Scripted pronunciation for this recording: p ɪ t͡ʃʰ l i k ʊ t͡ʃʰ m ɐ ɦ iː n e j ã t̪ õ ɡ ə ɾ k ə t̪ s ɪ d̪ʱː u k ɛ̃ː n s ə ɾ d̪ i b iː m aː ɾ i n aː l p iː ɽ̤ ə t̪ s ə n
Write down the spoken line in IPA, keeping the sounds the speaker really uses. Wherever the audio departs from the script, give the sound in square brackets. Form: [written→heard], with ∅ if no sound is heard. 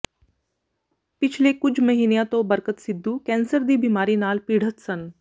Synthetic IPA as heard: p ɪ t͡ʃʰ l [i→e] k ʊ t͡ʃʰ m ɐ ɦ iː n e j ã t̪ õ [ɡ→b] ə ɾ k ə t̪ s ɪ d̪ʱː u k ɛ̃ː n s ə ɾ d̪ i b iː m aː ɾ i n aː l p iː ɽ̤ ə t̪ s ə n